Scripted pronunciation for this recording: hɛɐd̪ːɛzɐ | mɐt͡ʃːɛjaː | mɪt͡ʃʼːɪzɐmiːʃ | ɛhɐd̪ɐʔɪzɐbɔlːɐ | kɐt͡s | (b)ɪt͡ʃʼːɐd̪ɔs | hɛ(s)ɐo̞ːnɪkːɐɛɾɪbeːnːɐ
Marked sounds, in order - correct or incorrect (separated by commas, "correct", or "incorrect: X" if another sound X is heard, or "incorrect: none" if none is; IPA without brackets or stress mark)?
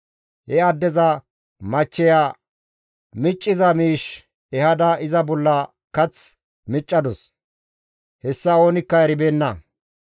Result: incorrect: m, incorrect: sː